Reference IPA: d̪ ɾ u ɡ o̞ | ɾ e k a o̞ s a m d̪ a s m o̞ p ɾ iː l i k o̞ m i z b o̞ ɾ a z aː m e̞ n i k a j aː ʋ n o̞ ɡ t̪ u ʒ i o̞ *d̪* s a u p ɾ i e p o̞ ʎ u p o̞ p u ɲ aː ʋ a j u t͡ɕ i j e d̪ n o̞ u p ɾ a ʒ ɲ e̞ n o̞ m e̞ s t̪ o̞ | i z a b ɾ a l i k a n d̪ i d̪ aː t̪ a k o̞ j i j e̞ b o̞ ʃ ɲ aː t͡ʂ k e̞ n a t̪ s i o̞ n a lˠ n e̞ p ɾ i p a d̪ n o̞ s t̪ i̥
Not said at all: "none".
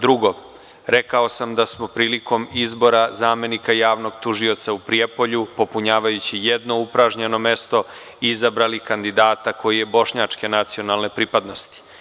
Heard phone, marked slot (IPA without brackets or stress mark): t̪